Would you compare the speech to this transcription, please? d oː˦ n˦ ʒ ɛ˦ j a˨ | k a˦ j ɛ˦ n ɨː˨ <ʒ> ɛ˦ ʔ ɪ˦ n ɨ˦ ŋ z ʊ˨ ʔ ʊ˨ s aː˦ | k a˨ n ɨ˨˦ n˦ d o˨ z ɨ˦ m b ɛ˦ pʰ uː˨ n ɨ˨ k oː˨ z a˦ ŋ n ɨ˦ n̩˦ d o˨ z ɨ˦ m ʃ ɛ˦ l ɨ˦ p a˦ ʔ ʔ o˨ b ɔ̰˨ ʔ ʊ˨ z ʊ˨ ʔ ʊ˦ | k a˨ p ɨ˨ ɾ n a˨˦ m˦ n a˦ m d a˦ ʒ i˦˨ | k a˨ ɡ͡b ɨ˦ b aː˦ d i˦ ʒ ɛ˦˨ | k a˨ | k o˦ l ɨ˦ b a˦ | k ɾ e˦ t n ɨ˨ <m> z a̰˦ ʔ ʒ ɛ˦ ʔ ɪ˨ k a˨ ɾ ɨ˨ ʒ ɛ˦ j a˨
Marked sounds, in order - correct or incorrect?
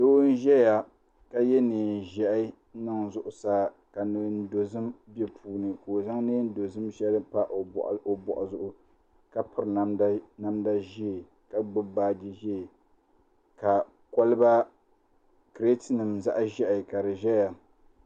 correct, correct

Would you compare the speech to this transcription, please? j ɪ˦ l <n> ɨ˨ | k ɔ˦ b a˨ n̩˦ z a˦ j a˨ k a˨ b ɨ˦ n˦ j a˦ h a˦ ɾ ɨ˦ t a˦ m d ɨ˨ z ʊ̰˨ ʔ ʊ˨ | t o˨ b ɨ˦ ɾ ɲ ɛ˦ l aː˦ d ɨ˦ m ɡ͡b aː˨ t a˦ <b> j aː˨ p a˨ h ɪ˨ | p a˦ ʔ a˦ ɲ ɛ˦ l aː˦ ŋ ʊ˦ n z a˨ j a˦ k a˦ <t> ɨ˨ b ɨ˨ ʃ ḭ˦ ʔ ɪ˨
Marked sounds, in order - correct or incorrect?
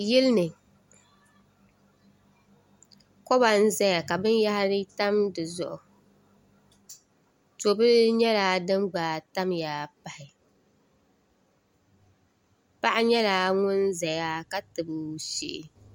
correct, incorrect: m, correct

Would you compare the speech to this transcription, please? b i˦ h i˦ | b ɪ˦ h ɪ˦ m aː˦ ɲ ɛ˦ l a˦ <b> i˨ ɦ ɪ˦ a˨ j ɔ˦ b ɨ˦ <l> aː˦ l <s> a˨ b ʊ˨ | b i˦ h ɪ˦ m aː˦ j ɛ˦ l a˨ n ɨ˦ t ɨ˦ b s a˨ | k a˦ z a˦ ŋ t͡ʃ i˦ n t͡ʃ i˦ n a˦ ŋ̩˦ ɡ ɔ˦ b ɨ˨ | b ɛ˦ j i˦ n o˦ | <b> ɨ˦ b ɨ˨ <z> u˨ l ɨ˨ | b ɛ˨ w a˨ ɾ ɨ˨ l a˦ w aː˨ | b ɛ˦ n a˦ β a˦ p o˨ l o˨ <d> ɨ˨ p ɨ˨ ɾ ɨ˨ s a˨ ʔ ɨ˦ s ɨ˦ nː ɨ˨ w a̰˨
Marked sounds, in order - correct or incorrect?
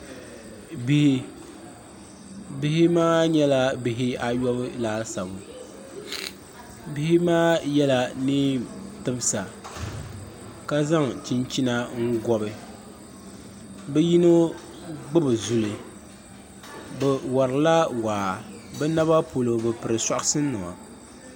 correct, correct, correct, incorrect: ɡ͡b, correct, incorrect: b

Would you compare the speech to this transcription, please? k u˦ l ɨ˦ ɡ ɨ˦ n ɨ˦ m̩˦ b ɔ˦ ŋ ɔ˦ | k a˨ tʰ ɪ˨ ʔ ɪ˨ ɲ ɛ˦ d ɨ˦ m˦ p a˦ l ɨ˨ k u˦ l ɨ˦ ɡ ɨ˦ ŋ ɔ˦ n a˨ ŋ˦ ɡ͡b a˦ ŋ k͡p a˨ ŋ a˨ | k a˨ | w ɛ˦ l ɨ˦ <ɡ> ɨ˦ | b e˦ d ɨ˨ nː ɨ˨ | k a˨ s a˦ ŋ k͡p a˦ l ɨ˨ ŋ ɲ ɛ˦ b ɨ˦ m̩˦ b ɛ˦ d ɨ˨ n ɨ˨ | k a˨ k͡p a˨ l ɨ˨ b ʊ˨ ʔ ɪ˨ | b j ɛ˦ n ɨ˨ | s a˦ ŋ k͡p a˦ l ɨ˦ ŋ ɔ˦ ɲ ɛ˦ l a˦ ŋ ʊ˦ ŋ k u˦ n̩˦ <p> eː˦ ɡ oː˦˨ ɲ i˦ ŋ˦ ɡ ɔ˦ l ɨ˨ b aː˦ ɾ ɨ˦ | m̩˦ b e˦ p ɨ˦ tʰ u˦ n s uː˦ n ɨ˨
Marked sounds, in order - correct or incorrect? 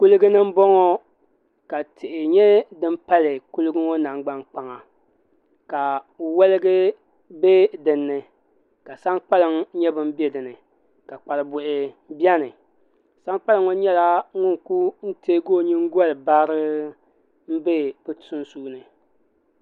correct, incorrect: t

